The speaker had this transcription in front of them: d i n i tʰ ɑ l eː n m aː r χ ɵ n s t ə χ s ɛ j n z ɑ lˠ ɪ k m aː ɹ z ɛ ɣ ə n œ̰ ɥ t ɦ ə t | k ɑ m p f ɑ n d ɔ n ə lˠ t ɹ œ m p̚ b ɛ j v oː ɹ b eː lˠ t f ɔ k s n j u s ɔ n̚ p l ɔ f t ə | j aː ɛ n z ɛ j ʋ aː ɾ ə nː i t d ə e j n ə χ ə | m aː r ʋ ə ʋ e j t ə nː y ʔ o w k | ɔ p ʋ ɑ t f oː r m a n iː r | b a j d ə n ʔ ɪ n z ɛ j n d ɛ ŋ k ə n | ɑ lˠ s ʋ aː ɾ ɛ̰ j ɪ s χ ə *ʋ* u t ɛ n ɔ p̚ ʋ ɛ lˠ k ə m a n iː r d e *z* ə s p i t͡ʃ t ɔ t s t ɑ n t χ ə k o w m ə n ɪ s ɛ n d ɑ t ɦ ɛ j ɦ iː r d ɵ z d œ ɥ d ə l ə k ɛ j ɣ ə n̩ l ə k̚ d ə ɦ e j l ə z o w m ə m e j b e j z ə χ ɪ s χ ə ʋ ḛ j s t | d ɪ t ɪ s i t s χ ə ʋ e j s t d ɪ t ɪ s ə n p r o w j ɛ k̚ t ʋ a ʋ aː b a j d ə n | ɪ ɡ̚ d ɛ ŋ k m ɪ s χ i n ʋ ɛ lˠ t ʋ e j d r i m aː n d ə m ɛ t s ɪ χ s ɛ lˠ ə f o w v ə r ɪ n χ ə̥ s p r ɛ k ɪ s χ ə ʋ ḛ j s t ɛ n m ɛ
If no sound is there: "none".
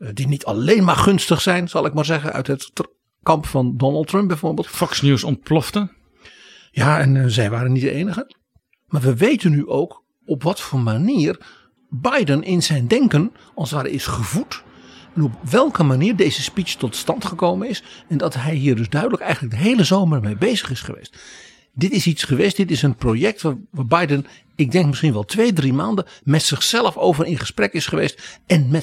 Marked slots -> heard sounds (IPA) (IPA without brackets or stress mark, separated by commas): v, z